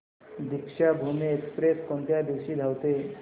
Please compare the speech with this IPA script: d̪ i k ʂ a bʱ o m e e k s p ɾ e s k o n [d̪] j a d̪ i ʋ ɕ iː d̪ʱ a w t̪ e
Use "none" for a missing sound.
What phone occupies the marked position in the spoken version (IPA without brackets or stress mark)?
t̪